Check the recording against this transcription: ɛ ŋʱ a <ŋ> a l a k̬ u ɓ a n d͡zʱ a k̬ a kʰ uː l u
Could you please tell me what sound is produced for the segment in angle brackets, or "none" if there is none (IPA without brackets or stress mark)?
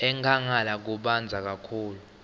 ŋ